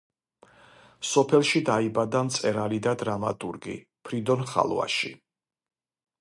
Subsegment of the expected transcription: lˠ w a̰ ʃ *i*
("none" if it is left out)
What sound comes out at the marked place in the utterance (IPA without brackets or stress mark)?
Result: i